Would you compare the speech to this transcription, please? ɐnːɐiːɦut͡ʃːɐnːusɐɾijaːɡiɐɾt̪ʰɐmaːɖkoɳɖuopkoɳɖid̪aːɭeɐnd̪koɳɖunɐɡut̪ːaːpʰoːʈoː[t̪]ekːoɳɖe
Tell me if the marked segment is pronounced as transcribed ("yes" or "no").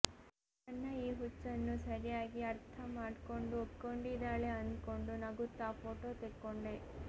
yes